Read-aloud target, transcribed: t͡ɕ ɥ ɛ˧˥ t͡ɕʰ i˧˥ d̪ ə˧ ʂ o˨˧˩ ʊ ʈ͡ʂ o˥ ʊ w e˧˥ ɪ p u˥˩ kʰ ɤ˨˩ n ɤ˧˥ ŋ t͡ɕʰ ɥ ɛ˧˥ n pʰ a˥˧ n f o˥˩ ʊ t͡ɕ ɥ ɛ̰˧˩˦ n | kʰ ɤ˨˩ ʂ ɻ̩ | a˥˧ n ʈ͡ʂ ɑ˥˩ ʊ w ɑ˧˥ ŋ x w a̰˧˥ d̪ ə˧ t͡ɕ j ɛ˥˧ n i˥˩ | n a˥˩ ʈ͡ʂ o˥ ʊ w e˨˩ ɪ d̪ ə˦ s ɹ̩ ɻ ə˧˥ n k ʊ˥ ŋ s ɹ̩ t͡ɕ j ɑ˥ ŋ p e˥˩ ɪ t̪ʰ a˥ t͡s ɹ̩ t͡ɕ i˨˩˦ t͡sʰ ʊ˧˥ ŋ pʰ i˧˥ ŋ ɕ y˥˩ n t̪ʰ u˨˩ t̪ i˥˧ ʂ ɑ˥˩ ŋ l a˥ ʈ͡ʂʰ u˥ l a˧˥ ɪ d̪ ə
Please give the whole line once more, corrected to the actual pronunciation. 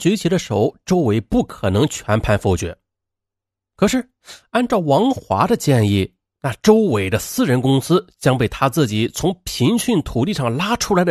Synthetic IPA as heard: t͡ɕ ɥ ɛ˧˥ t͡ɕʰ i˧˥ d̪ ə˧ ʂ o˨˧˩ ʊ ʈ͡ʂ o˥ ʊ w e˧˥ ɪ p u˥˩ kʰ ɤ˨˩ n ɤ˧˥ ŋ t͡ɕʰ ɥ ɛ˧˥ n pʰ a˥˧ n f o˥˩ ʊ t͡ɕ ɥ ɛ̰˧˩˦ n | kʰ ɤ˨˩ ʂ ɻ̩ | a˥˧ n ʈ͡ʂ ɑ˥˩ ʊ w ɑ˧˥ ŋ x w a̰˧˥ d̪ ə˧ t͡ɕ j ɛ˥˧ n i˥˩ | n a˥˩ ʈ͡ʂ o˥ ʊ w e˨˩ ɪ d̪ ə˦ s ɹ̩ ɻ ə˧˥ n k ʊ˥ ŋ s ɹ̩ t͡ɕ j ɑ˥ ŋ p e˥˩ ɪ t̪ʰ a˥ t͡s ɹ̩ t͡ɕ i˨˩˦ t͡sʰ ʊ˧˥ ŋ pʰ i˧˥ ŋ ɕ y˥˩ n t̪ʰ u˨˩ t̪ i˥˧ ʂ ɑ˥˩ ŋ l a˥ ʈ͡ʂʰ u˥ l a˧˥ ɪ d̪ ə